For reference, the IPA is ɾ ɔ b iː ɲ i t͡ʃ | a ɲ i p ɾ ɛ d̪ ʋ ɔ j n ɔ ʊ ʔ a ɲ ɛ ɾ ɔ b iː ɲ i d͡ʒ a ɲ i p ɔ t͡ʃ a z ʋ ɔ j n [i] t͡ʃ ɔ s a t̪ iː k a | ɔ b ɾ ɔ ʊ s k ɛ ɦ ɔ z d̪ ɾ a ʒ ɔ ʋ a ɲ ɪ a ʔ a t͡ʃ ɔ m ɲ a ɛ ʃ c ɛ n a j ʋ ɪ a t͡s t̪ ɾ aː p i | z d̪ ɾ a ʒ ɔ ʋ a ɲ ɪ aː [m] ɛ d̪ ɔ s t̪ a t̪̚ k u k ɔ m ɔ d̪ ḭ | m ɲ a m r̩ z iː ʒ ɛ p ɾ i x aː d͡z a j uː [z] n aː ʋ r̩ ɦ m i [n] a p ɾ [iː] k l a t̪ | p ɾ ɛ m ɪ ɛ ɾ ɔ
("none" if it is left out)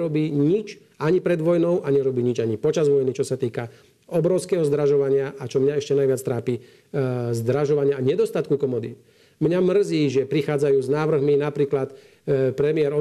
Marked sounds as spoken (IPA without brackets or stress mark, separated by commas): i, ɲ, z, n, iː